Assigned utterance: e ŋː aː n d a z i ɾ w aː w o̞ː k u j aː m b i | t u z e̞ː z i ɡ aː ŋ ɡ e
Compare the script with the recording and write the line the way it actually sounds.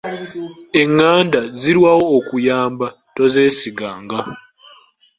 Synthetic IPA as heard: e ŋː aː n d a z i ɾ w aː w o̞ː k u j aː m b a | t o z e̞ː s i ɡ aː ŋ ɡ a